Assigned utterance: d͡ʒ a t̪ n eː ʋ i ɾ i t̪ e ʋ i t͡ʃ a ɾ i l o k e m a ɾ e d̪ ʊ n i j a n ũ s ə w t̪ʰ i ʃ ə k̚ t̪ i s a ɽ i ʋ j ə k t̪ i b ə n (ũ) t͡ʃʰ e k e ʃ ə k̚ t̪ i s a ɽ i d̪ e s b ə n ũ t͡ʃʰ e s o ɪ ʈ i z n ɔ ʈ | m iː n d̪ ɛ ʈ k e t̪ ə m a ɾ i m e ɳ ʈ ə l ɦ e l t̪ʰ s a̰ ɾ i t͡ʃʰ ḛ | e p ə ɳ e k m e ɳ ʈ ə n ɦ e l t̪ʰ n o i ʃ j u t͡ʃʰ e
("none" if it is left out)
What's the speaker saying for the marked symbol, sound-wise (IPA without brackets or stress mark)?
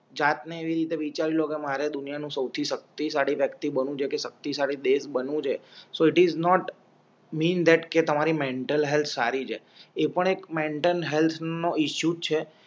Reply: ũ